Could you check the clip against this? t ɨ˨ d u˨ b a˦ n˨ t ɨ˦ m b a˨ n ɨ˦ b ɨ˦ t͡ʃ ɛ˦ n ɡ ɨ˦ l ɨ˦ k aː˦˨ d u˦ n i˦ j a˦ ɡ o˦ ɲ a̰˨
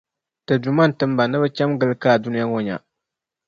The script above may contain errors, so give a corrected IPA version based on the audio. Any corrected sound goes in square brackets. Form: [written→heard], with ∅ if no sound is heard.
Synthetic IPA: t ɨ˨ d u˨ [b→m] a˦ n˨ t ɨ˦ m b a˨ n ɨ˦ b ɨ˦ t͡ʃ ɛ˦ [n→m] ɡ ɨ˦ l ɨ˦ k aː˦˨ d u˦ n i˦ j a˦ [ɡ→ŋ] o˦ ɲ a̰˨